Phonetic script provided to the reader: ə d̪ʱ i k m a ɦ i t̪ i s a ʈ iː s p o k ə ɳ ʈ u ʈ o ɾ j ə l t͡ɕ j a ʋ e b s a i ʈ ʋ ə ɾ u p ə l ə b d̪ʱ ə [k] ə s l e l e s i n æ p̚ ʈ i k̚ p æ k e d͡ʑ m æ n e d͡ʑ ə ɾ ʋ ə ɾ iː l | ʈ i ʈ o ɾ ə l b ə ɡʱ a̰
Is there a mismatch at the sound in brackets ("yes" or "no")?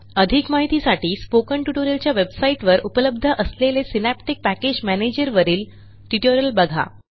yes